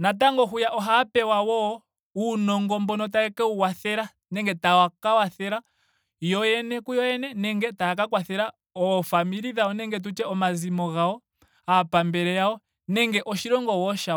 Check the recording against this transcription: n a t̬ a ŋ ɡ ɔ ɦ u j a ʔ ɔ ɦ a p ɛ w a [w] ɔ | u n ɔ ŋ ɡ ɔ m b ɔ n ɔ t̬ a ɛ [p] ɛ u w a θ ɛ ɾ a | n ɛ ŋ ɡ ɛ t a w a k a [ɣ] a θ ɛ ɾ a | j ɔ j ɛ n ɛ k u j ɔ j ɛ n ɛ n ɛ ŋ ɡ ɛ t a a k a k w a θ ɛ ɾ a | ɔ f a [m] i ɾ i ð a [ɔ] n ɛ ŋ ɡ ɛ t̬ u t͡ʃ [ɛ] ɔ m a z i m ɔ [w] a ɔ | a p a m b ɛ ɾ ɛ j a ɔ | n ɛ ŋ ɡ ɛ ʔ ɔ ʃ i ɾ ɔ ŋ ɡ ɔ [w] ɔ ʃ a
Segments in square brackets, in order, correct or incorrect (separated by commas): correct, incorrect, incorrect, correct, correct, correct, incorrect, correct